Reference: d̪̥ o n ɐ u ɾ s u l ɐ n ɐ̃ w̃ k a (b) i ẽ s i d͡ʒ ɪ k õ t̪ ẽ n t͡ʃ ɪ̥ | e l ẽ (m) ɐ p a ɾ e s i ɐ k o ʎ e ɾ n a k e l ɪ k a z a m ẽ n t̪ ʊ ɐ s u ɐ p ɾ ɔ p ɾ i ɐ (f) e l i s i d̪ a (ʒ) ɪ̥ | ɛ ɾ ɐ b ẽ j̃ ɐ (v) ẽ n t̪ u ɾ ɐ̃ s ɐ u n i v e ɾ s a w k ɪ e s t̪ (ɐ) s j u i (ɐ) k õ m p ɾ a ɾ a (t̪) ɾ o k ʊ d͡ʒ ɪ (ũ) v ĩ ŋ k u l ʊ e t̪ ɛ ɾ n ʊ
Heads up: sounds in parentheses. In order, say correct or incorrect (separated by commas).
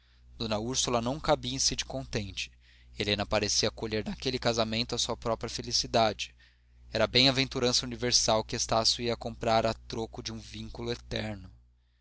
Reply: correct, incorrect, correct, incorrect, correct, incorrect, correct, correct, correct